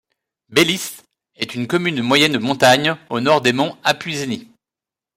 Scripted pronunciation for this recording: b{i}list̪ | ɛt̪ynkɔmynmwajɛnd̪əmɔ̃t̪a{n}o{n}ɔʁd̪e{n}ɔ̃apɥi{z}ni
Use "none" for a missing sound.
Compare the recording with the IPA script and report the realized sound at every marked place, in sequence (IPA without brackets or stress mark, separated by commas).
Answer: e, ɲ, n, m, z